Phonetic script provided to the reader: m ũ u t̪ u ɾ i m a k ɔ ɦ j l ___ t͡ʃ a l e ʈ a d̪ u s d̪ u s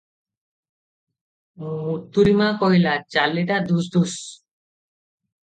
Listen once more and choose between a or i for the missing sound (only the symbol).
a